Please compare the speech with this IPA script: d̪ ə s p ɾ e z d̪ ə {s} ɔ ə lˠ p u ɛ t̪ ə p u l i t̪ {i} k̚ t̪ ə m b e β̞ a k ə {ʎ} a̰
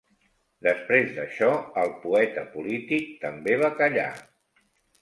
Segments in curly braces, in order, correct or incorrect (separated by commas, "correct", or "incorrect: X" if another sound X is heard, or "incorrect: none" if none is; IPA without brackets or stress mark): incorrect: ʃ, correct, correct